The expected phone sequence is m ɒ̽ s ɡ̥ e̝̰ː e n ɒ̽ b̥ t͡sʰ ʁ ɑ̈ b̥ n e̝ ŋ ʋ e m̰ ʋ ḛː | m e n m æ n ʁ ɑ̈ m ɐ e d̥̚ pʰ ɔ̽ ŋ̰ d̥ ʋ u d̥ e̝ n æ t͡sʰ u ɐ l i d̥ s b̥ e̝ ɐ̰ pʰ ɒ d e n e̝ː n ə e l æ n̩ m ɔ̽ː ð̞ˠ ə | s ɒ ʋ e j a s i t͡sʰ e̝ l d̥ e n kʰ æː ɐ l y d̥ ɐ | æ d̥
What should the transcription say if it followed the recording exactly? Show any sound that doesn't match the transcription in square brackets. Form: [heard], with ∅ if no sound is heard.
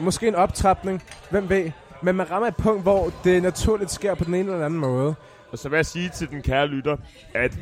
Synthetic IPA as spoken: m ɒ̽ s ɡ̥ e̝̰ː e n ɒ̽ b̥ t͡sʰ ʁ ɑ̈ b̥ n e̝ ŋ ʋ e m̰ ʋ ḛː | m e n m æ n ʁ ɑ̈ m ɐ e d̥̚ pʰ ɔ̽ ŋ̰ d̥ ʋ [ɒ] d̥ e̝ n æ t͡sʰ u ɐ l i d̥ s [ɡ̥] e̝ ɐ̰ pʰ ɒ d e n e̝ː n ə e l æ n̩ m ɔ̽ː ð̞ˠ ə | s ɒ ʋ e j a s [iː] t͡sʰ e̝ l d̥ e n kʰ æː ɐ l y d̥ ɐ | æ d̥